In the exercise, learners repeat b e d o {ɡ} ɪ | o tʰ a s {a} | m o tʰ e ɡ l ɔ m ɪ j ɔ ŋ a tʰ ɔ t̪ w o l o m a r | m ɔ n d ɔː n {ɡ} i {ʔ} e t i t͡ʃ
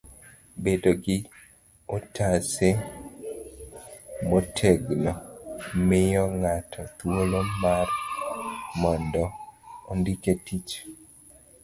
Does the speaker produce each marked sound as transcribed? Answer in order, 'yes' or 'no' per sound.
yes, no, no, no

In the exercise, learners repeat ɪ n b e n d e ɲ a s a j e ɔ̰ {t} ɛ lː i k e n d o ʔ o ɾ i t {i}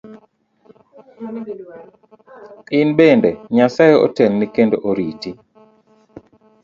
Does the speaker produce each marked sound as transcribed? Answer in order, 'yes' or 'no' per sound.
yes, yes

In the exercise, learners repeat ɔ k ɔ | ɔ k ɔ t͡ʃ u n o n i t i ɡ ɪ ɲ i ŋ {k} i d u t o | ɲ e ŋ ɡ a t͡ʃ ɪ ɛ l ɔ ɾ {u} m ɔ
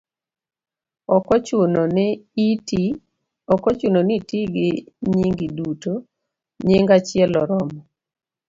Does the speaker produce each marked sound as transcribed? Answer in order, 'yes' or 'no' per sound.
no, no

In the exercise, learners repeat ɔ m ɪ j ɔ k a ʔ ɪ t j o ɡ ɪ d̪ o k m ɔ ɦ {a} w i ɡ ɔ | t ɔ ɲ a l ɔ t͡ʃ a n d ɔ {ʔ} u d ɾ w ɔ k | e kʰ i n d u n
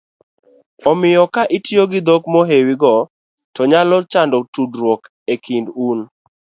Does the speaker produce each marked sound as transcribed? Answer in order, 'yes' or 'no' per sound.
no, no

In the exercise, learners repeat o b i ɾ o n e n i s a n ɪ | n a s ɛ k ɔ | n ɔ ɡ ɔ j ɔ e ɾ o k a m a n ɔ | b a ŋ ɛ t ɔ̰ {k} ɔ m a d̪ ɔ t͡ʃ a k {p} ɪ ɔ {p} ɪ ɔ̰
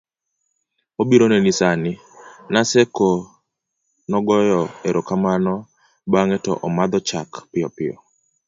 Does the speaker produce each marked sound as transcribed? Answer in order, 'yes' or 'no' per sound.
no, yes, yes

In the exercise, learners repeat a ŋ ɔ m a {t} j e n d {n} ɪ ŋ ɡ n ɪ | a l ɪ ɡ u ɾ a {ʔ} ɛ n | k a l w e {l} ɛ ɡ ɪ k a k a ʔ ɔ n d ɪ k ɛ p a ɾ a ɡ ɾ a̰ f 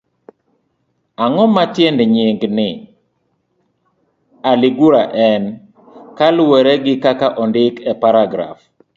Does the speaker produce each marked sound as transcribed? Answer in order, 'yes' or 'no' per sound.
yes, no, yes, no

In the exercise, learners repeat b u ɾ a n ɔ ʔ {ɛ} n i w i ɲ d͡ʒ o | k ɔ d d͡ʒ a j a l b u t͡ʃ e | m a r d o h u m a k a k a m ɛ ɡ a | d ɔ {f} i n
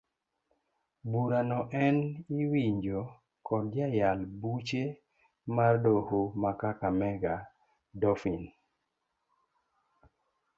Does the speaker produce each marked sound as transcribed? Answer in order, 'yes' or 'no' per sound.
yes, yes

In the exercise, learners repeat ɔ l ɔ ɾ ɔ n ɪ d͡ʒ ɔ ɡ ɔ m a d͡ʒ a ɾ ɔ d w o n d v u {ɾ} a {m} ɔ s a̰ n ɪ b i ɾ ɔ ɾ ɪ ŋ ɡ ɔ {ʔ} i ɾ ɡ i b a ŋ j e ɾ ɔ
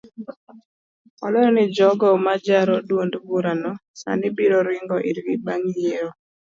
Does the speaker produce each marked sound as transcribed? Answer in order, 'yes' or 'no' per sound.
yes, no, yes

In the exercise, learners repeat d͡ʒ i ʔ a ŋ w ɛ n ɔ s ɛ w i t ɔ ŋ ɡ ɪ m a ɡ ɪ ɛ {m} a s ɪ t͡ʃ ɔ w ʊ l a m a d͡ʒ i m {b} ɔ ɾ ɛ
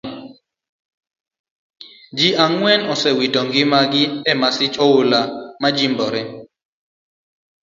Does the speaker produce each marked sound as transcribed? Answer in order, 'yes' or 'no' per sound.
yes, yes

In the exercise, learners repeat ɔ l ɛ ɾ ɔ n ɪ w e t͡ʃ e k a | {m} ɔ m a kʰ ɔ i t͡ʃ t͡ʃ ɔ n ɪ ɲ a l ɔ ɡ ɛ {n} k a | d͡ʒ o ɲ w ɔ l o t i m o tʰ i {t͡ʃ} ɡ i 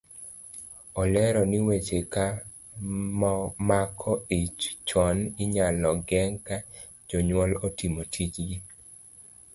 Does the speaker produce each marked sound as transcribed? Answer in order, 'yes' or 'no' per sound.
yes, no, yes

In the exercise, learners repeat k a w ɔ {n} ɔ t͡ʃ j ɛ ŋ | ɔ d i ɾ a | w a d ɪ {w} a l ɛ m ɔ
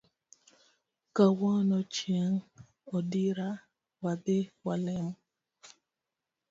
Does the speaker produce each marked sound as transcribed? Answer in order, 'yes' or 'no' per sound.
yes, yes

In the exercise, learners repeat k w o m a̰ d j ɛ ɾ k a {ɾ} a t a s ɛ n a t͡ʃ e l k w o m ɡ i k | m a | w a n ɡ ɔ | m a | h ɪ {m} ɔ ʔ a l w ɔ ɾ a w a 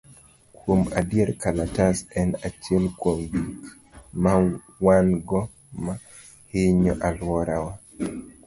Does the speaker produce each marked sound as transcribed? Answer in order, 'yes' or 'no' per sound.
no, no

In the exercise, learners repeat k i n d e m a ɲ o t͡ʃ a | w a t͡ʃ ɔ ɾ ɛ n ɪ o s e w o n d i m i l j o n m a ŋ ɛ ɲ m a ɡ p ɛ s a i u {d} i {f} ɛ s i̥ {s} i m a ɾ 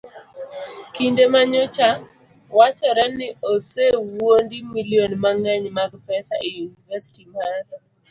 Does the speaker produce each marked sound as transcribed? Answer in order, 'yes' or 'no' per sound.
no, no, no

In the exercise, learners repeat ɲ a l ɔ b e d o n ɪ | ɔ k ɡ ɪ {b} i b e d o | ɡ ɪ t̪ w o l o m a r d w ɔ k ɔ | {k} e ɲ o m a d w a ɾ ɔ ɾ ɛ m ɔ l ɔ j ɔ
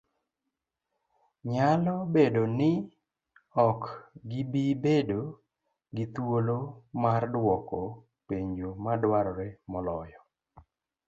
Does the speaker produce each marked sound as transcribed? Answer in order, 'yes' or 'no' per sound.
yes, no

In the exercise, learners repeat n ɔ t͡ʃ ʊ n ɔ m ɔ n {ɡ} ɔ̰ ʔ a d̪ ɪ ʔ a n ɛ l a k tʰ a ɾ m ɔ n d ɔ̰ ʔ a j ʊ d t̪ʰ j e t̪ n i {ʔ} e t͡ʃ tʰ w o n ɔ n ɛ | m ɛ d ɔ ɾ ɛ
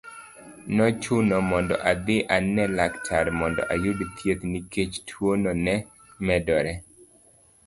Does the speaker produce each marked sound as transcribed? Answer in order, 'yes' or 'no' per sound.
no, no

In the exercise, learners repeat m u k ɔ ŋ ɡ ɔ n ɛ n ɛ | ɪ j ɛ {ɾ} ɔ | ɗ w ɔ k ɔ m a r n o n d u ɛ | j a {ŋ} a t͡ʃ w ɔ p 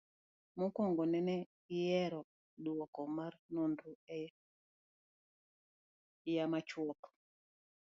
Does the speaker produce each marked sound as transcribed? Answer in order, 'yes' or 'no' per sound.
yes, no

